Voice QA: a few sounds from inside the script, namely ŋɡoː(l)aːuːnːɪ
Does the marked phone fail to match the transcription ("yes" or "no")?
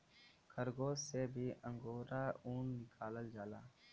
yes